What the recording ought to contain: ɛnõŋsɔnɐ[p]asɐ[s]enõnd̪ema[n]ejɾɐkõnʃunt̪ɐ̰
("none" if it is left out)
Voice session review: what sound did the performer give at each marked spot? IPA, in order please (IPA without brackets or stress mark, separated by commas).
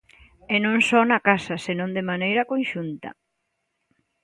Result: k, s, n